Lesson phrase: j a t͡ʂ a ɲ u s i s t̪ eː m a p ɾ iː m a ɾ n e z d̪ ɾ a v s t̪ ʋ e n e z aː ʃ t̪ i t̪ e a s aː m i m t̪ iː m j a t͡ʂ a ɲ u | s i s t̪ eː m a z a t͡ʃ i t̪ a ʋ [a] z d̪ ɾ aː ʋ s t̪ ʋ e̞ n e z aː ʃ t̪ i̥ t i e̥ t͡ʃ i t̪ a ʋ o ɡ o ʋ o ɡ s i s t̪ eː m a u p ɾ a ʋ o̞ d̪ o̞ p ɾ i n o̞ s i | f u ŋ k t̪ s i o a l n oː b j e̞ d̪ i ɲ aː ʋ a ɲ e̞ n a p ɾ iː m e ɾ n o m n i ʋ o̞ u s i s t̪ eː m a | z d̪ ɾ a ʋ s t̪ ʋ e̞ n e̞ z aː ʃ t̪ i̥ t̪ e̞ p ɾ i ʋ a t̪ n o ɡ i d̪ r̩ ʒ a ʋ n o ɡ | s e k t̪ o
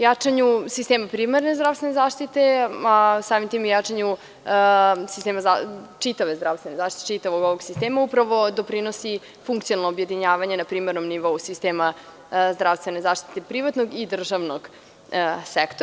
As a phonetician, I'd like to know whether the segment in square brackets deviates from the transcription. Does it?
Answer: yes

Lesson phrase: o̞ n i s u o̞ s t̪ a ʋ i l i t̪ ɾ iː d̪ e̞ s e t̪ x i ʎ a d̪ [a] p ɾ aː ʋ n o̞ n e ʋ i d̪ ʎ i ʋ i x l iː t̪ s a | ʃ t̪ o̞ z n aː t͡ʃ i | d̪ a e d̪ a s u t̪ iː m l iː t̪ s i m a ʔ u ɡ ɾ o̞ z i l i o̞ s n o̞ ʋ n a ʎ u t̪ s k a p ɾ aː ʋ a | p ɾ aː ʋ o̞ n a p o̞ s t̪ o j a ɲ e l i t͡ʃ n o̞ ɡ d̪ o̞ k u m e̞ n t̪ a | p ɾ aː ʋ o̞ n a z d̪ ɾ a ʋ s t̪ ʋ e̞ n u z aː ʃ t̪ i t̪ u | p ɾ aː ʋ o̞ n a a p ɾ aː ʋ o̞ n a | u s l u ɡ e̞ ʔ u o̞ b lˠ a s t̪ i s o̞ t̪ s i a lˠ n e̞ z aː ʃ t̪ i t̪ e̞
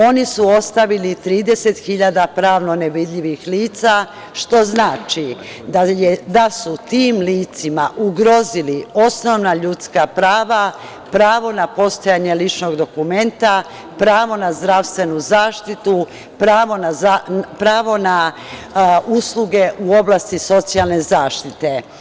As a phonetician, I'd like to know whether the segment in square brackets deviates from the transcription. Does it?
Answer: no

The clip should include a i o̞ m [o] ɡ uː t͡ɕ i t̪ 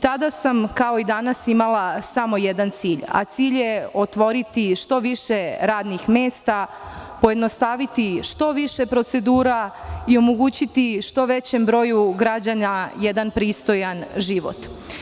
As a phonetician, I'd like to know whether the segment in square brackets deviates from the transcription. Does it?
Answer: no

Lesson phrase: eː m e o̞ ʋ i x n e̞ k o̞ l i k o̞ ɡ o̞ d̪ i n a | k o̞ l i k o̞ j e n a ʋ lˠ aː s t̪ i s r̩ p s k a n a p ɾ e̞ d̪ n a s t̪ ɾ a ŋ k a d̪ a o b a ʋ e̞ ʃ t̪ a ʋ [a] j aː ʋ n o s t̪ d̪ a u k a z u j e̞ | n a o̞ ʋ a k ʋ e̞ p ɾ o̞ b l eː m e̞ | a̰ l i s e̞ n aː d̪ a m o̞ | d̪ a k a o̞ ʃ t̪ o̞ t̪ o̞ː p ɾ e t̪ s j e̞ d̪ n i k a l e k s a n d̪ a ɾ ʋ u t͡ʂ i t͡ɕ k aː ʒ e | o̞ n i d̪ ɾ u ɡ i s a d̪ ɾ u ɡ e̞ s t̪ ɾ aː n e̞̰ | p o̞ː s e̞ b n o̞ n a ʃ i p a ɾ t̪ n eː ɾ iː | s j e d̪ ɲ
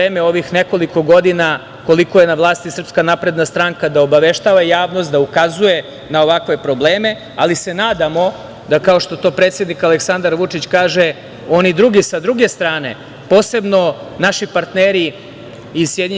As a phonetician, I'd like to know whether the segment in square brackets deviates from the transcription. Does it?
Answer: no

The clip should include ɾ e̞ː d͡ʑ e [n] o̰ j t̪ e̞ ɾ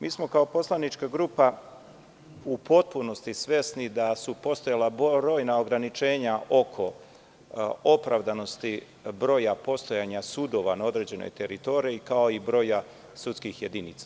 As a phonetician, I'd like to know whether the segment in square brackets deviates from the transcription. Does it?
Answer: no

